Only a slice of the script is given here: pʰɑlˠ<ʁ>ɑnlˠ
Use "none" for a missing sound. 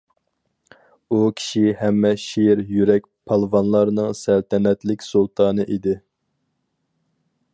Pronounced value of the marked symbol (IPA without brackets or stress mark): v